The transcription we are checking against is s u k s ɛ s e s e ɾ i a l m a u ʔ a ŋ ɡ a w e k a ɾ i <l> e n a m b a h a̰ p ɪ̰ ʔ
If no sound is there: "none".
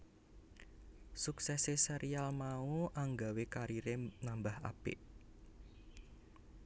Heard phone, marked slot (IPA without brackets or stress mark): ɾ